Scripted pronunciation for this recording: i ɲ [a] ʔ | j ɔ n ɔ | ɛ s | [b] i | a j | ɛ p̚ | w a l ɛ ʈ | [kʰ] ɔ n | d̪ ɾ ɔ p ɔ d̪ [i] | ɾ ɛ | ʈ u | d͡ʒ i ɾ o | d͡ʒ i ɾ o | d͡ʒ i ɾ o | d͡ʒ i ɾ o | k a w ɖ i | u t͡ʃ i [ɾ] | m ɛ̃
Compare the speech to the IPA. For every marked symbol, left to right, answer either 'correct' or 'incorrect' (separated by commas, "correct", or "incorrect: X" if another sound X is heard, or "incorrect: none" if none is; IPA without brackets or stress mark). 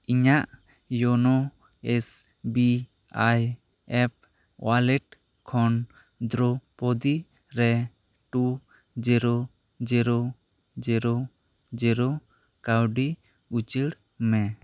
correct, correct, correct, correct, incorrect: ɽ